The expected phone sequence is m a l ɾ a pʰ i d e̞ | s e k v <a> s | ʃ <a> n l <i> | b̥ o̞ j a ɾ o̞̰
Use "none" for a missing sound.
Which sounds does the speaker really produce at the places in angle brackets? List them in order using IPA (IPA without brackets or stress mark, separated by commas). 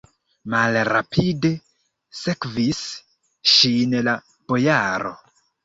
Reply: i, i, a